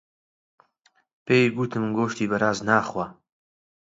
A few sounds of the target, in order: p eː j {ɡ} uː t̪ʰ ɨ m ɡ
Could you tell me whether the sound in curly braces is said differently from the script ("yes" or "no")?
no